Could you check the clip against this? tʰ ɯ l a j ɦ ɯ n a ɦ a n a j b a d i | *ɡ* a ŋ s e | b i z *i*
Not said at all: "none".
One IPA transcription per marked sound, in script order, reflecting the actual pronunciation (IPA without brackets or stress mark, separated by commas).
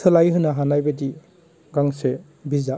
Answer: ɡ, a